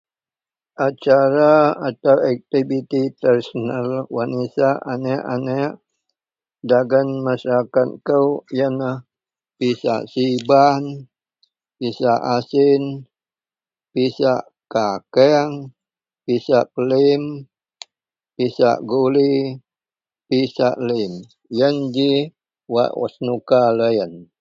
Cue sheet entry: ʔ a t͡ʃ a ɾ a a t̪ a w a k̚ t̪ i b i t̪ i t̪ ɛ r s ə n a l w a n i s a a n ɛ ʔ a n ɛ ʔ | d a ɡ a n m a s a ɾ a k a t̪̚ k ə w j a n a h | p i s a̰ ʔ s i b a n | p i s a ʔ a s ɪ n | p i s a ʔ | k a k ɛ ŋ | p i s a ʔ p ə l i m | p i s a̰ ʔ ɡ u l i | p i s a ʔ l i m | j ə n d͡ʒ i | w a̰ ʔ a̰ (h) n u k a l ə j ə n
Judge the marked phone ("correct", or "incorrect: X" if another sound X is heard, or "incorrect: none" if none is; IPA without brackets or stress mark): incorrect: s